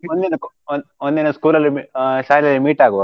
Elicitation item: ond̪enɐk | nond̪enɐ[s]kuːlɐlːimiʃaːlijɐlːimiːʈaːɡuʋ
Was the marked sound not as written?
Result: no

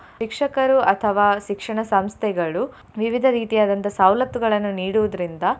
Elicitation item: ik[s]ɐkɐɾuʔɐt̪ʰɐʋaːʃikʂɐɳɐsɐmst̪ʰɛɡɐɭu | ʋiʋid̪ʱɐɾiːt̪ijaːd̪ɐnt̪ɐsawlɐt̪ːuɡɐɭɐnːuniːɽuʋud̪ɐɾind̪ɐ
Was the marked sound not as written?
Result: yes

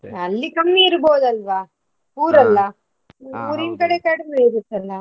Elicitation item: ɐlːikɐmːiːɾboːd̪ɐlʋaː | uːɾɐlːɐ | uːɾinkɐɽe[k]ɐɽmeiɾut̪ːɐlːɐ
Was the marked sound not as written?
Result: no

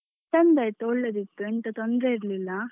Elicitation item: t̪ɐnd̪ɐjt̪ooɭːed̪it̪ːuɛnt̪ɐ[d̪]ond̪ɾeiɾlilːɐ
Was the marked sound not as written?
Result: yes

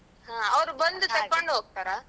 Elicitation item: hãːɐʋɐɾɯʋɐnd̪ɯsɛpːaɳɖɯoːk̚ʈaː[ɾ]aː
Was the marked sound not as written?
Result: no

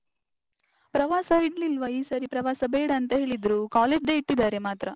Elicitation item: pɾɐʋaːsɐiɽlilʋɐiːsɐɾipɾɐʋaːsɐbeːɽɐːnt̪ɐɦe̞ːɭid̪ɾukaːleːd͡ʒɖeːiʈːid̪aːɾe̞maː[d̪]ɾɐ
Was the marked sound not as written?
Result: yes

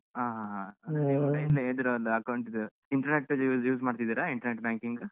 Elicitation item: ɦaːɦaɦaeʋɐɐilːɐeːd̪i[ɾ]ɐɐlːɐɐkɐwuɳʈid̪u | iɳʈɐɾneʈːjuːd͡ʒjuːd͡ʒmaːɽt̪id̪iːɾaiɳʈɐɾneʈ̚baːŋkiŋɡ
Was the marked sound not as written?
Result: no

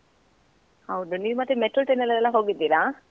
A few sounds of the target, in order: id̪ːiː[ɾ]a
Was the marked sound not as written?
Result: no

